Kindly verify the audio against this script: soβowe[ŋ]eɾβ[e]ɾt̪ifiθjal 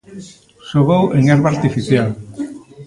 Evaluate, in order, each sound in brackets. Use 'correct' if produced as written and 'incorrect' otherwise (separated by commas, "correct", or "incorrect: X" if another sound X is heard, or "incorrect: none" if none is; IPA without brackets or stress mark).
correct, incorrect: a